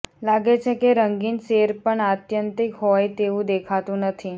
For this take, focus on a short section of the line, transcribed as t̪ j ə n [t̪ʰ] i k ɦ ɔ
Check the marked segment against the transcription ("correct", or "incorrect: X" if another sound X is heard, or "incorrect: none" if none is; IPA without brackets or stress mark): incorrect: t̪